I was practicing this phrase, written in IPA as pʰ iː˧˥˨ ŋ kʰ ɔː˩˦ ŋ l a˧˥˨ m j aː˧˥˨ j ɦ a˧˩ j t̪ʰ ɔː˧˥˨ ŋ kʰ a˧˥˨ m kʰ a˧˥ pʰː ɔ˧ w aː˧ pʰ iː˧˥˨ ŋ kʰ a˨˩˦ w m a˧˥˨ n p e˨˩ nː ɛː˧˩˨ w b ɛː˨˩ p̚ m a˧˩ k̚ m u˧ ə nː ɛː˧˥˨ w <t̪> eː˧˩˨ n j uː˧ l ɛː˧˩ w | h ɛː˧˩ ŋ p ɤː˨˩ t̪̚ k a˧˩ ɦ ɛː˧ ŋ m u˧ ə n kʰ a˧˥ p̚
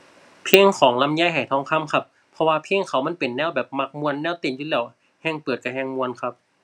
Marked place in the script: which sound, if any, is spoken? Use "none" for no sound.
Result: t̪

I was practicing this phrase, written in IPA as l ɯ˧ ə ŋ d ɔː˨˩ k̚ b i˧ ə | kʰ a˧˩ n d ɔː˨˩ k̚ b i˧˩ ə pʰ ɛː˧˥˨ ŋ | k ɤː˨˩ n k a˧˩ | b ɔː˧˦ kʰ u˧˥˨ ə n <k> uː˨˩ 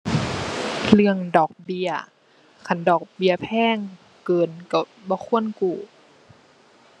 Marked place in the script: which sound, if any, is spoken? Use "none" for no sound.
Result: k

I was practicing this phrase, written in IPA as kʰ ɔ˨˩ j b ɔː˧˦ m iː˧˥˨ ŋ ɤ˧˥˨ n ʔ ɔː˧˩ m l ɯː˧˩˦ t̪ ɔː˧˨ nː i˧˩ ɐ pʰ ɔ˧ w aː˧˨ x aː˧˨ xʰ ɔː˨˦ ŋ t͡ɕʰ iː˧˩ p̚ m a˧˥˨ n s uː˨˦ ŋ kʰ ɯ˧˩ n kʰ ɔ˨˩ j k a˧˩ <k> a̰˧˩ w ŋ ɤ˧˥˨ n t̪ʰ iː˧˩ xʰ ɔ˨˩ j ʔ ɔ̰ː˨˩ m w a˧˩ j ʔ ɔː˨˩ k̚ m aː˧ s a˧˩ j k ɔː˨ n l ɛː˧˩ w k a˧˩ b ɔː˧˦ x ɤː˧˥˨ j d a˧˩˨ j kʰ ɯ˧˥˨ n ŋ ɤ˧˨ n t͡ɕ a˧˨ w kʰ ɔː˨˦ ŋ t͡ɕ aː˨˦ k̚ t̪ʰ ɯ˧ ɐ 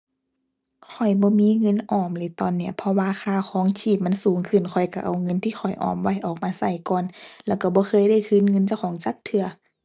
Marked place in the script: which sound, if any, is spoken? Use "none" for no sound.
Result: ʔ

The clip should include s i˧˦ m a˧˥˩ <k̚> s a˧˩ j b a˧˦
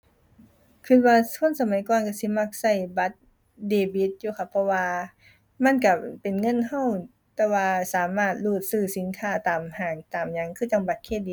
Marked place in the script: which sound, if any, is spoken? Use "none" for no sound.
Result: k̚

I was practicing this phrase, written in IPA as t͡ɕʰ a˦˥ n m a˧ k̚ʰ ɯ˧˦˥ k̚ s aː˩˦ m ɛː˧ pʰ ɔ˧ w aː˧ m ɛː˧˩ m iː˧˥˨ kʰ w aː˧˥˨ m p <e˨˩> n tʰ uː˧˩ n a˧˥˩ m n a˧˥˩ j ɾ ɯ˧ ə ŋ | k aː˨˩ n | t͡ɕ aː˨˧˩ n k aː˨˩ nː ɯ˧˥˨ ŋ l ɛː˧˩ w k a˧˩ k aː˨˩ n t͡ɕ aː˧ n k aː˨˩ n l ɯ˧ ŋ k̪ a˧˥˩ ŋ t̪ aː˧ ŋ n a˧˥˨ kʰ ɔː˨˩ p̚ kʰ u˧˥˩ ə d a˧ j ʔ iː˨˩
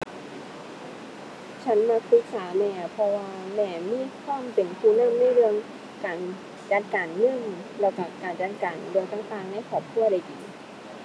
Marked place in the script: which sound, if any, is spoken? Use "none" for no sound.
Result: e˨˩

